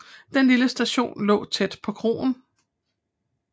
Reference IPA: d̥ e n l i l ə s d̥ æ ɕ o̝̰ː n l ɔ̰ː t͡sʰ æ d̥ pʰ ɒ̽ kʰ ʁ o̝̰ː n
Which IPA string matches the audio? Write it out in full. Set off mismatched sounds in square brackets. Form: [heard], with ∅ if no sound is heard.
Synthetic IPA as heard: d̥ e n l i l ə s d̥ æ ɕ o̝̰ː n l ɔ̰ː t͡sʰ [e] d̥ pʰ ɒ̽ kʰ ʁ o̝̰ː n